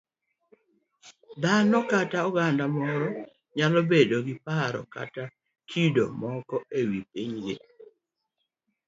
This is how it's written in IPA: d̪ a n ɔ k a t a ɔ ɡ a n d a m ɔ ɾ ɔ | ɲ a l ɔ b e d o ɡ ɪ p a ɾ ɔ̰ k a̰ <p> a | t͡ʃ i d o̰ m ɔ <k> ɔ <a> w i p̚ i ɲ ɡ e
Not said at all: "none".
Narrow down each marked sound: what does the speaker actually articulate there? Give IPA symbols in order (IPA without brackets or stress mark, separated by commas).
t, k, e